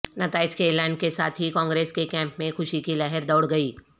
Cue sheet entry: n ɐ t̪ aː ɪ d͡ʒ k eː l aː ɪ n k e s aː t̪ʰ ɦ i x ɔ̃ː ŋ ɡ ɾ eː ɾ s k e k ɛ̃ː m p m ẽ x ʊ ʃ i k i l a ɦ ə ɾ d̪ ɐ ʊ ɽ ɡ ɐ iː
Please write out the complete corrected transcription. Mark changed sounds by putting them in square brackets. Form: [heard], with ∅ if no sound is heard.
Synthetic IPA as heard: n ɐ t̪ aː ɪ d͡ʒ k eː l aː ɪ n k e s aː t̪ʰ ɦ i [k] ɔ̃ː ŋ ɡ ɾ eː [∅] s k e k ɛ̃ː m p m ẽ x ʊ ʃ i k i l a ɦ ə ɾ d̪ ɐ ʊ ɽ ɡ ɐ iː